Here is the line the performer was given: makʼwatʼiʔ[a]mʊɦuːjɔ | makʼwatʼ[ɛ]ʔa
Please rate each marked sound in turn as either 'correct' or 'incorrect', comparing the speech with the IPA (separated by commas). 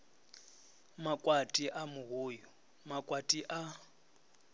correct, incorrect